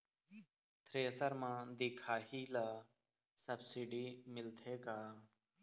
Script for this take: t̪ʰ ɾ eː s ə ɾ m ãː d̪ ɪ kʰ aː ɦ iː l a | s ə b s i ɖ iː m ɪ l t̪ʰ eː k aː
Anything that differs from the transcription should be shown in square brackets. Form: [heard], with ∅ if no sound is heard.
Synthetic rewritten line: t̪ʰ ɾ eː s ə ɾ m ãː d̪ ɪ kʰ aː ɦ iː l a | s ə b s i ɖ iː m ɪ l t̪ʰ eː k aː